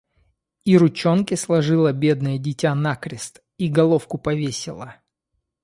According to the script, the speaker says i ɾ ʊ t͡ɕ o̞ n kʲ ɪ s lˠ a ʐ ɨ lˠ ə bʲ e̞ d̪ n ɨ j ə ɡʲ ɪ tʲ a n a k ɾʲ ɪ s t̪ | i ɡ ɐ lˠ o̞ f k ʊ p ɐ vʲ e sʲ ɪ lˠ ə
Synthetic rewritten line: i ɾ ʊ t͡ɕ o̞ n kʲ ɪ s lˠ ɐ ʐ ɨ lˠ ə bʲ e̞ d̪ n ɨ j ə dʲ ɪ tʲ a n a k ɾʲ ɪ s t̪ | i ɡ ɐ lˠ o̞ f k ʊ p ɐ vʲ e sʲ ɪ lˠ ə

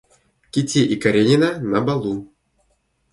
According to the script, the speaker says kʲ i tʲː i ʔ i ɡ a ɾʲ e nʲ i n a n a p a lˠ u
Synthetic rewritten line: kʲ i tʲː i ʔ i k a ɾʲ e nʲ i n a n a b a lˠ u

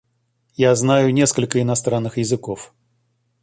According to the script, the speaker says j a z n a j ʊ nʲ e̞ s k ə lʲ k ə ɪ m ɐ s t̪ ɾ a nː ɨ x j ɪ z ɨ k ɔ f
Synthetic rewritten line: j a z n a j ʊ nʲ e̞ s k ə lʲ k ə ɪ n ɐ s t̪ ɾ a nː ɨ x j ɪ z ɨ k o f

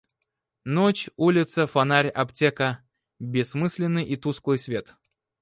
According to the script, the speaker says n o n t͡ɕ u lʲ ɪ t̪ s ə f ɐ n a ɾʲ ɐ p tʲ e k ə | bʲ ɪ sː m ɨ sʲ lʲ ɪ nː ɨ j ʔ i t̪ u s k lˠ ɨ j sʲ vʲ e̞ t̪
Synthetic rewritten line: n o t͡ɕ u lʲ ɪ t̪ s ə f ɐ n a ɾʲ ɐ p tʲ e k ə | bʲ ɪ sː m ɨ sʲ lʲ ɪ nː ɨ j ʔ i t̪ u s k lˠ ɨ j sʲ vʲ e̞ t̪

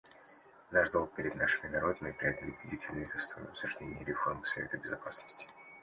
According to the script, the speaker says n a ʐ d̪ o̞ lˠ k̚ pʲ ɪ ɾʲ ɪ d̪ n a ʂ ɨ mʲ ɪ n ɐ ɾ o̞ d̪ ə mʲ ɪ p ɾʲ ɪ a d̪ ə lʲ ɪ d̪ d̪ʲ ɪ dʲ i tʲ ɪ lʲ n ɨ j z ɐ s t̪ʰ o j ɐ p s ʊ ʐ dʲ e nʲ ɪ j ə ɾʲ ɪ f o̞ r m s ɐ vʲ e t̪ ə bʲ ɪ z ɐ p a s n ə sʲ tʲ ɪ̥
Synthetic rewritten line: n a ʐ d̪ o̞ lˠ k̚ pʲ ɪ ɾʲ ɪ d̪ n a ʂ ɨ mʲ ɪ n ɐ ɾ o̞ d̪ ə mʲ ɪ p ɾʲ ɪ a d̪ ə lʲ ɪ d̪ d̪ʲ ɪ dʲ i tʲ ɪ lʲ n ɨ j z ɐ s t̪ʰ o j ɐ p s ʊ ʐ dʲ e nʲ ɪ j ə ɾʲ ɪ f o̞ r m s ɐ vʲ e t̪ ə bʲ ɪ z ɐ p a s n ə sʲ tʲ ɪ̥

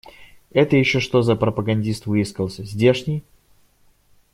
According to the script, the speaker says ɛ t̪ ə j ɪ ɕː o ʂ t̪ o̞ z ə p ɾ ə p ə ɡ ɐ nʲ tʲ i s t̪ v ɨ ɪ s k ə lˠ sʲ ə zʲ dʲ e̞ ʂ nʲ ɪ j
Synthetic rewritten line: ɛ t̪ ə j ɪ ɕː o ʂ t̪ o̞ z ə p ɾ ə p ə ɡ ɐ nʲ dʲ i s t̪ v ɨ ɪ s k ə lˠ sʲ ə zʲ dʲ e̞ ʂ nʲ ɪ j

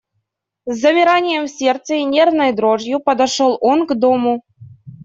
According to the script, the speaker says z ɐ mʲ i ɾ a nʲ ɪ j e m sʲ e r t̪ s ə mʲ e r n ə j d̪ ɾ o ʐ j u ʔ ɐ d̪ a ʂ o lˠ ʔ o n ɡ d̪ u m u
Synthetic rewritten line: z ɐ mʲ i ɾ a nʲ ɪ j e m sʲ e r t̪ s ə nʲ e r n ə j d̪ ɾ o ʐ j u p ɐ d̪ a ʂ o lˠ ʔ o n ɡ d̪ o m u

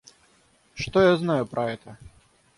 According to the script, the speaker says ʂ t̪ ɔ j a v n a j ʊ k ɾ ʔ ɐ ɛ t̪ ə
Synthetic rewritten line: ʂ t̪ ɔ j a z n a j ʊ p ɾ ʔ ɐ ɛ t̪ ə

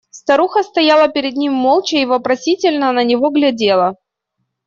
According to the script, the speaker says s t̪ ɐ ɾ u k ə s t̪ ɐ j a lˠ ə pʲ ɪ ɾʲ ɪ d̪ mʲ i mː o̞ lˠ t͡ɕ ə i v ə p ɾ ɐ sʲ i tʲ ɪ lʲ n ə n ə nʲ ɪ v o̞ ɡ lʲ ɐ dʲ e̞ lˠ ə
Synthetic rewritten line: s t̪ ɐ ɾ u x ə s t̪ ɐ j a lˠ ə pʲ ɪ ɾʲ ɪ d̪ nʲ i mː o̞ lˠ t͡ɕ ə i v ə p ɾ ɐ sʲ i tʲ ɪ lʲ n ə n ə nʲ ɪ v o̞ ɡ lʲ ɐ dʲ e̞ lˠ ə

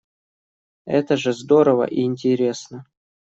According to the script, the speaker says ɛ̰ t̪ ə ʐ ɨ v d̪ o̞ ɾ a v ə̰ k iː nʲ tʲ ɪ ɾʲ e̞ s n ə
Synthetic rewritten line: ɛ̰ t̪ ə ʐ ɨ z d̪ o̞ ɾ ə v ə̰ ʔ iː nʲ tʲ ɪ ɾʲ e̞ s n ə

